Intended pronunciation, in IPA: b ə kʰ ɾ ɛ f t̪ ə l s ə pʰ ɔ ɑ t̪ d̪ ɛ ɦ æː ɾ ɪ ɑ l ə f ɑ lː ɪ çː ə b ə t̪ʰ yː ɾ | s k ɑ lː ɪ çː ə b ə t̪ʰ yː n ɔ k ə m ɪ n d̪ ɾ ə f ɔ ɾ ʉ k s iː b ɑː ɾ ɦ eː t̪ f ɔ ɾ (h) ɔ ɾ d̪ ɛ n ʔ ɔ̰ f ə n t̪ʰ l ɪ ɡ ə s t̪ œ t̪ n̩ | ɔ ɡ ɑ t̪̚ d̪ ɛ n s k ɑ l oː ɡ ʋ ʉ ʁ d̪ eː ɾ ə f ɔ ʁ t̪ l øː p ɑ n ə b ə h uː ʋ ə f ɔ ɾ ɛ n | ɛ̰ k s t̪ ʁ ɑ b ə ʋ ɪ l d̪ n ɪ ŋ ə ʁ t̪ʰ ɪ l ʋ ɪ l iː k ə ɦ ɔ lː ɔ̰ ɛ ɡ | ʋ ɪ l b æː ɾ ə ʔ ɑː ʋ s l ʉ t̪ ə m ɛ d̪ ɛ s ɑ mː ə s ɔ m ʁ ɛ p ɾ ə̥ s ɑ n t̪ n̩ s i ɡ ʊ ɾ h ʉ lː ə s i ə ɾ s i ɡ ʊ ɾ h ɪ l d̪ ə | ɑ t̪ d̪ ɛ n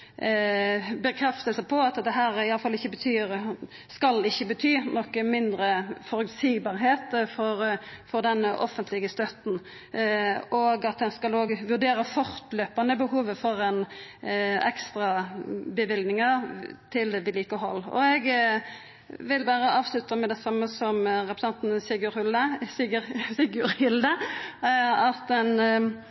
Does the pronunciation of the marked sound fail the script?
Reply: yes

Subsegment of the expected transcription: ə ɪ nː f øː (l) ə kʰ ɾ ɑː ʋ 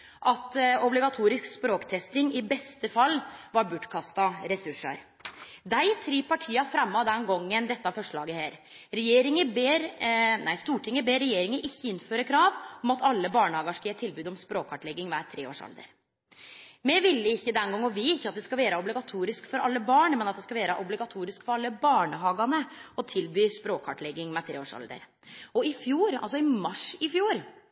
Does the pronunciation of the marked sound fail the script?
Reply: yes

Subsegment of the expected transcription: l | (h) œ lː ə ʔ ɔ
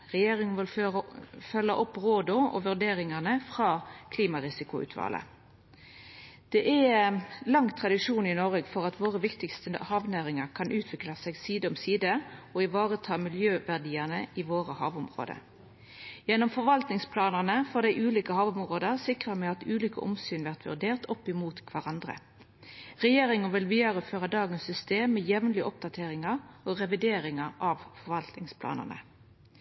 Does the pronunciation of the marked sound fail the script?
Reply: yes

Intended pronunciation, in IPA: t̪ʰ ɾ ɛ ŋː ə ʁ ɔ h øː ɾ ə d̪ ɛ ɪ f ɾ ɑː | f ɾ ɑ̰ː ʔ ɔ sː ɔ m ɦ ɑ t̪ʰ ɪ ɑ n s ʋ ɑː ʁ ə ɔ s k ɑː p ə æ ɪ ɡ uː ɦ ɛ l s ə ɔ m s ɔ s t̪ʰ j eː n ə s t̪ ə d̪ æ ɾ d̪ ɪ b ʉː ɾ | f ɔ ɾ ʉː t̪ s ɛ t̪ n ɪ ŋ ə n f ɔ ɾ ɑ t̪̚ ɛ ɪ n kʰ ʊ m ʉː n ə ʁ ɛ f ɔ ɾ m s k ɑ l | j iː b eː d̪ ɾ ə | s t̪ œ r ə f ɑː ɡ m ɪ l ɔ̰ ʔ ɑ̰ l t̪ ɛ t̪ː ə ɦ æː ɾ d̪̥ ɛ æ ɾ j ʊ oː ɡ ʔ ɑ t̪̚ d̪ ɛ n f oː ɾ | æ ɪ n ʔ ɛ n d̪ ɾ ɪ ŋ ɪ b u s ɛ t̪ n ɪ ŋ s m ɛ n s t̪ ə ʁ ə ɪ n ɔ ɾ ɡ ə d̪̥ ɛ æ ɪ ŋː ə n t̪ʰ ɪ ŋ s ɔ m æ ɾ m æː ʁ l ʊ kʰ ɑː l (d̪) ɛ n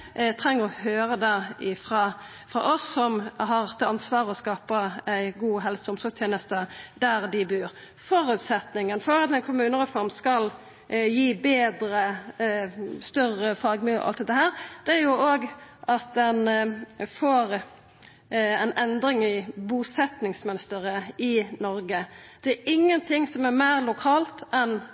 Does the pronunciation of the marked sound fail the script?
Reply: yes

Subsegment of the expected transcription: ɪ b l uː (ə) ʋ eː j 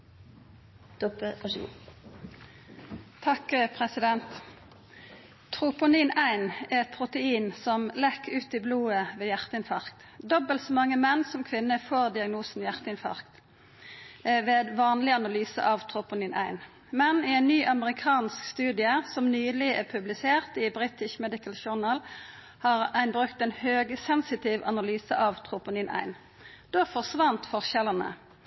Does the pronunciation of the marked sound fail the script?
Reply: no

